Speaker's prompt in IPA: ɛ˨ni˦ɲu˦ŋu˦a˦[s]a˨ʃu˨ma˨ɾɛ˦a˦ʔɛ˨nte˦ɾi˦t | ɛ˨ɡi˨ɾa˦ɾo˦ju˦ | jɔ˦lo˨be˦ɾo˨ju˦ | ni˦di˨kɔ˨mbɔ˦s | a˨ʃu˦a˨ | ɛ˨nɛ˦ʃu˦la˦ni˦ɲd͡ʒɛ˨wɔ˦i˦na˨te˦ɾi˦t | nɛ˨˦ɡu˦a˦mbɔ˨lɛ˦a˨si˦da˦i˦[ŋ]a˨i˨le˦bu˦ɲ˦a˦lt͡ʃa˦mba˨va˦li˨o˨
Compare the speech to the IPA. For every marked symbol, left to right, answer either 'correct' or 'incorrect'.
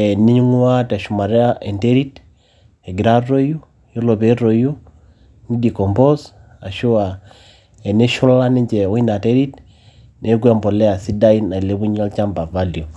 incorrect, incorrect

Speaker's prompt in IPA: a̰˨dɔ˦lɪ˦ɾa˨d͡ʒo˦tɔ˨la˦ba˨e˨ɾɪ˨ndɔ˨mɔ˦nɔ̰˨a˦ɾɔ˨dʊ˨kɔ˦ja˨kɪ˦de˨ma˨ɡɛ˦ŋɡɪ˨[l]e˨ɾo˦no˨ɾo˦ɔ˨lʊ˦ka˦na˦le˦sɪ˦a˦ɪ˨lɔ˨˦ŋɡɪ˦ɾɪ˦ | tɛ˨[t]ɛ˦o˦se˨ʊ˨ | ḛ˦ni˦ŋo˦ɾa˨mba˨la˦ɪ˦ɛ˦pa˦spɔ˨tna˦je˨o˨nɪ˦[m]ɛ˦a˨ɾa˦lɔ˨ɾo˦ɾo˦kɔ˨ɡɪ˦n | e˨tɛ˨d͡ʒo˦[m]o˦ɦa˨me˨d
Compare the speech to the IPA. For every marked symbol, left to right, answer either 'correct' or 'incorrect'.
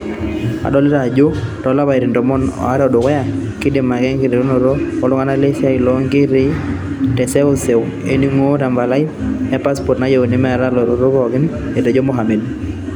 incorrect, incorrect, correct, correct

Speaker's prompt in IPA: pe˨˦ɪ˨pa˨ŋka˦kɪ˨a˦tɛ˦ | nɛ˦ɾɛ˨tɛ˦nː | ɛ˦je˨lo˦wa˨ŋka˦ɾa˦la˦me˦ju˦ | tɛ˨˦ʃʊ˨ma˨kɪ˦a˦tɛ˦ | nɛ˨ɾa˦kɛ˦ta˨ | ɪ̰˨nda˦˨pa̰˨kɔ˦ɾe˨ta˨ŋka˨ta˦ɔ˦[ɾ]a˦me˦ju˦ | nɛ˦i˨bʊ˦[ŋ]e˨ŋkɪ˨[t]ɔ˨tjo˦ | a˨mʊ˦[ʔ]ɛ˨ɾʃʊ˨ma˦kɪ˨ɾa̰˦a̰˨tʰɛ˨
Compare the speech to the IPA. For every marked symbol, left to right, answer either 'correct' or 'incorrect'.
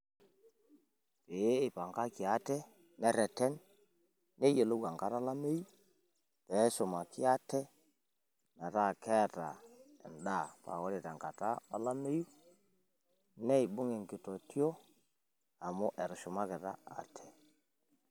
incorrect, correct, correct, correct

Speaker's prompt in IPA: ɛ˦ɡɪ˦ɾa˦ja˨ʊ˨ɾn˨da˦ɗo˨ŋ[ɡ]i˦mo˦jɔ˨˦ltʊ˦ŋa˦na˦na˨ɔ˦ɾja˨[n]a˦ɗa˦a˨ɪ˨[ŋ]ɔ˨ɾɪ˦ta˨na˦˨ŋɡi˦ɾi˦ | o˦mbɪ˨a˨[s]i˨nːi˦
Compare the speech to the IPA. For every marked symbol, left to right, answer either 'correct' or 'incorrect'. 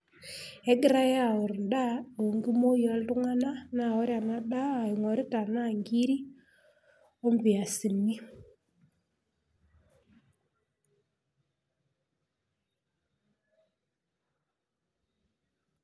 correct, correct, correct, correct

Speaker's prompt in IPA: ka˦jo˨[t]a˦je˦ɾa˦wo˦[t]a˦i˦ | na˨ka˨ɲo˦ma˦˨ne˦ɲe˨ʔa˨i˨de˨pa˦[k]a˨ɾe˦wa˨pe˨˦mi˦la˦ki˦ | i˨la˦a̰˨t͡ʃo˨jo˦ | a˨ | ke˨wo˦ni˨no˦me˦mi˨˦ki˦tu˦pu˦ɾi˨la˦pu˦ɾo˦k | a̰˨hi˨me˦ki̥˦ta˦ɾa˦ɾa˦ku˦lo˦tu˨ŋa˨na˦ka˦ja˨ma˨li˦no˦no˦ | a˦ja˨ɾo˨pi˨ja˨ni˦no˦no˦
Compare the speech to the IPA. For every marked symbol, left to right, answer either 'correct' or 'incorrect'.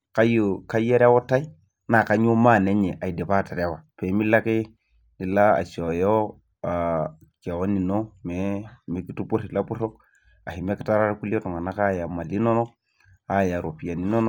incorrect, correct, incorrect

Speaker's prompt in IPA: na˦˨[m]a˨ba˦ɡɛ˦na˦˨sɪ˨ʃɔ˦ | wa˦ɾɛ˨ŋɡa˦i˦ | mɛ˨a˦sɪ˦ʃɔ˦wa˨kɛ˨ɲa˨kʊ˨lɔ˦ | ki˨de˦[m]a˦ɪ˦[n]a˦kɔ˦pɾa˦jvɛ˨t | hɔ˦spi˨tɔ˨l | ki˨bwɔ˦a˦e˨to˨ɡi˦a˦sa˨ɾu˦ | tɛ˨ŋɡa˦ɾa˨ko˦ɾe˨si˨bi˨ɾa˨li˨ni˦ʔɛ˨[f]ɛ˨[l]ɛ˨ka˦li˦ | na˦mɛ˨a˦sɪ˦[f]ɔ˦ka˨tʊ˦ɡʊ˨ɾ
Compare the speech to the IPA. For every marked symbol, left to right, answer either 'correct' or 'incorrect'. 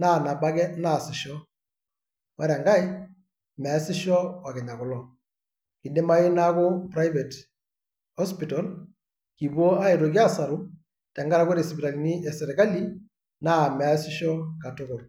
incorrect, correct, correct, incorrect, incorrect, incorrect

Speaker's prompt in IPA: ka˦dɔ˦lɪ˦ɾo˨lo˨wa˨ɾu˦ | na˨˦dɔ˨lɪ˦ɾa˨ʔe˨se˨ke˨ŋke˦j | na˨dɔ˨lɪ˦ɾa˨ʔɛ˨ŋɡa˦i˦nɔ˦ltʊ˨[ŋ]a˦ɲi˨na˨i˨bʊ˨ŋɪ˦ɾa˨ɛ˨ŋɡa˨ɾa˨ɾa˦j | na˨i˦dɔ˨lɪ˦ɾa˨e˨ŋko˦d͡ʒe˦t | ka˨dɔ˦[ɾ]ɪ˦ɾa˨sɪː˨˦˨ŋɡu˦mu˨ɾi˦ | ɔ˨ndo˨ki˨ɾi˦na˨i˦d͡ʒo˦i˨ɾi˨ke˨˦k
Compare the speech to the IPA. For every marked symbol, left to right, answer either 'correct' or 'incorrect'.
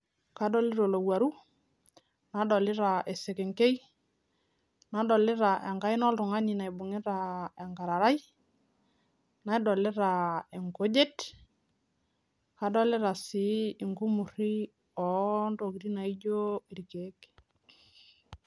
correct, incorrect

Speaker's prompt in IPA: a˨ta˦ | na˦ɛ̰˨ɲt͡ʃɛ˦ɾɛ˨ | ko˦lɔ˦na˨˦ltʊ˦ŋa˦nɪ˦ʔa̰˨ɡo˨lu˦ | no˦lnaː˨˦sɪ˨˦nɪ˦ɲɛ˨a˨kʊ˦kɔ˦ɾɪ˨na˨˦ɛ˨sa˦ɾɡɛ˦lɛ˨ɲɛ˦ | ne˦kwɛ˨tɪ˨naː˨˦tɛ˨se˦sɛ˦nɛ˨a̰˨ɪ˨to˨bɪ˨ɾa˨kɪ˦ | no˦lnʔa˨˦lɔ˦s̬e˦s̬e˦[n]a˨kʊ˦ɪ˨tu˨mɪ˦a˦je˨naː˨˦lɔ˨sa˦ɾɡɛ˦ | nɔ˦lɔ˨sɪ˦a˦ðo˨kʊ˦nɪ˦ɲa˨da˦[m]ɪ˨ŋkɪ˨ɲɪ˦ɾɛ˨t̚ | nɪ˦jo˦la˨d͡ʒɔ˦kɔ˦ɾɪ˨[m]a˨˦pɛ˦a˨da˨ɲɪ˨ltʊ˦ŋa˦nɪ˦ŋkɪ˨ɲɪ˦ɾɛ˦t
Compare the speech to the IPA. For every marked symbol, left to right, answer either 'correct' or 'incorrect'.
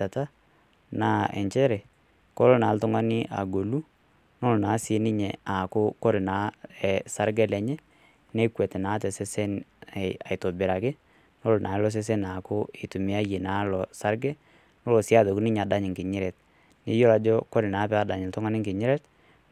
correct, incorrect, incorrect

